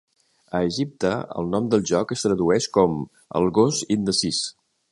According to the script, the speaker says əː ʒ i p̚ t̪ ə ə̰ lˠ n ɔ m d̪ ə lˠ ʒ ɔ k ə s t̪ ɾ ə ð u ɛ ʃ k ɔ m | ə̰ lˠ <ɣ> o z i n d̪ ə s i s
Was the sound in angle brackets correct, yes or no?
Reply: yes